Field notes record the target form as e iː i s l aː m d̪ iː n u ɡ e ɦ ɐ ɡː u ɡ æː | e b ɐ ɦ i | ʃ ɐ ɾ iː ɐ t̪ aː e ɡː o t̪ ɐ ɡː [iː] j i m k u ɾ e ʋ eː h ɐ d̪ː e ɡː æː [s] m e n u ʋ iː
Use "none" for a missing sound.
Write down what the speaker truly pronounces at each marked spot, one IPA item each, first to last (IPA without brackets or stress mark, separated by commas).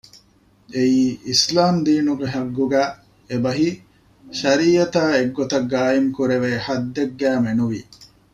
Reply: aː, none